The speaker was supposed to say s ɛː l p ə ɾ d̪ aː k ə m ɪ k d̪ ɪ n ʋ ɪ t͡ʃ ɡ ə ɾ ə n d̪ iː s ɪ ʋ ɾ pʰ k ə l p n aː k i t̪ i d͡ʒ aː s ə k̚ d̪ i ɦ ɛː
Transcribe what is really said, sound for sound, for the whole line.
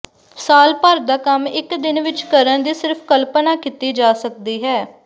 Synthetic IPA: s aː l p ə ɾ d̪ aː k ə m ɪ k d̪ ɪ n ʋ ɪ t͡ʃ k ə ɾ ə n d̪ iː s ɪ ɾ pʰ k ə l p n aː k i t̪ iː d͡ʒ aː s ə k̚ d̪ iː ɦ ɛː